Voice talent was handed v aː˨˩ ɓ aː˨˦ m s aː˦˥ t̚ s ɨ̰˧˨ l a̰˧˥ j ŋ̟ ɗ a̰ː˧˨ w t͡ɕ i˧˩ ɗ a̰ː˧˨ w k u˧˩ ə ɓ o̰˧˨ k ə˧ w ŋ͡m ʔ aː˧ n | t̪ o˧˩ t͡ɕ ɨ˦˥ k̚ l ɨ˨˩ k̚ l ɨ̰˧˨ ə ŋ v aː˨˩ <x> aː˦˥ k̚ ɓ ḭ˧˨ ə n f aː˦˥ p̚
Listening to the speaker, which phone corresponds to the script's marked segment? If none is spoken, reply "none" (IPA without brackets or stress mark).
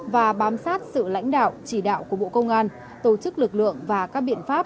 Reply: k